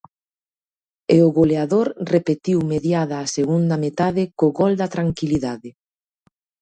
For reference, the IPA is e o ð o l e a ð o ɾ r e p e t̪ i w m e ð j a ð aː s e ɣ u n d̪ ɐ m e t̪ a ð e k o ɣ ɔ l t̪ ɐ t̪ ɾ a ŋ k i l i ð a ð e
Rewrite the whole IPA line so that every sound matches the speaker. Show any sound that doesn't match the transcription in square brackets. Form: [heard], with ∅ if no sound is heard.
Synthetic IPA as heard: e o [ɣ] o l e a ð o ɾ r e p e t̪ i w m e ð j a ð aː s e ɣ u n d̪ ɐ m e t̪ a ð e k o ɣ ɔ l [d̪] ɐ t̪ ɾ a ŋ k i l i ð a ð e